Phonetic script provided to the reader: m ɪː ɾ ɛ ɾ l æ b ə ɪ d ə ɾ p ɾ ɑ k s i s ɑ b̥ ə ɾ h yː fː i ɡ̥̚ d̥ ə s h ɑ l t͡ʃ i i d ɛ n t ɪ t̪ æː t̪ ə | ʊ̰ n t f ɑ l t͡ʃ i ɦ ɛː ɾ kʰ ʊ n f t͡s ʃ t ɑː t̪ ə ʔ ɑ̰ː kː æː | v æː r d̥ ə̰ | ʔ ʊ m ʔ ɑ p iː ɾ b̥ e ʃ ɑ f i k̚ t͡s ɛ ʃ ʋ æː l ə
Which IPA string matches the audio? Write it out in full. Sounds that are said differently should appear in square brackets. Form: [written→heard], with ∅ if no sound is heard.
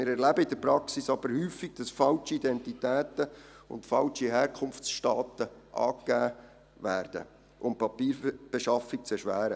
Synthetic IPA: m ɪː ɾ ɛ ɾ l æ b ə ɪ d ə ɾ p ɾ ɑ k s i s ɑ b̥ ə ɾ h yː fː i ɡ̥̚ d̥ [ə→ɑ] s [h→f] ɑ l t͡ʃ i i d ɛ n t [ɪ→i] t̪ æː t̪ ə | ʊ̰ n t f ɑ l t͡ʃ i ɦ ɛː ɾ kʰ ʊ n f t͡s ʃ t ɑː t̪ ə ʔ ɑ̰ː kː æː | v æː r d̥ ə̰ | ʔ ʊ m [ʔ→p] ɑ p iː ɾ b̥ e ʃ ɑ f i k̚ t͡s ɛ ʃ ʋ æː [l→ɾ] ə